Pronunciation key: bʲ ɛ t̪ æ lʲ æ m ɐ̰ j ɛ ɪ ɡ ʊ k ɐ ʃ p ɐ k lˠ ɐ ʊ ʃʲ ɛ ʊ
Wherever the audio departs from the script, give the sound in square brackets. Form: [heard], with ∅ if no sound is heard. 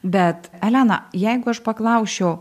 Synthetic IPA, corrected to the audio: bʲ ɛ t̪ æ lʲ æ [n] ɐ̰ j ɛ ɪ ɡ ʊ [∅] ɐ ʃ p ɐ k lˠ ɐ ʊ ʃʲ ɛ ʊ